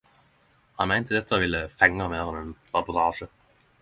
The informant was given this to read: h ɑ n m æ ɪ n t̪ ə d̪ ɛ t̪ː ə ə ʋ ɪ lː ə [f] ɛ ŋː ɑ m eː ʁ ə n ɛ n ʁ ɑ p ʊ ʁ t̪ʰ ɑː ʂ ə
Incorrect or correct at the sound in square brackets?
correct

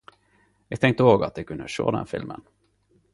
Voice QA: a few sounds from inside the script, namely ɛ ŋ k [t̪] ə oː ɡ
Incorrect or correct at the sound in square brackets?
correct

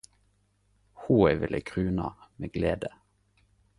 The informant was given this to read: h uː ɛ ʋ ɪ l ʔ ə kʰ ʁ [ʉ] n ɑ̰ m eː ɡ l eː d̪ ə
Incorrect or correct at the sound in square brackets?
incorrect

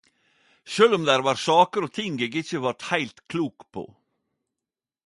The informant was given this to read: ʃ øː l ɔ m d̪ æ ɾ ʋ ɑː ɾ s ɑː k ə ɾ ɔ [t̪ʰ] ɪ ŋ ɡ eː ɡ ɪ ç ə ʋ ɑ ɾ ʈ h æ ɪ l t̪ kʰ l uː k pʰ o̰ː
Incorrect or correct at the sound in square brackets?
correct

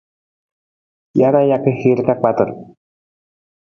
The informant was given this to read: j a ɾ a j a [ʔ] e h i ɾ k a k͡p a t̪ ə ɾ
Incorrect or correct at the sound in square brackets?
incorrect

